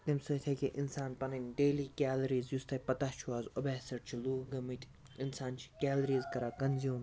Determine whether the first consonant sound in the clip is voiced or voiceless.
voiceless